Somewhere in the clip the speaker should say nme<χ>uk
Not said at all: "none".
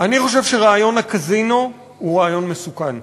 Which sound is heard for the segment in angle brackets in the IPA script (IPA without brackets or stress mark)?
s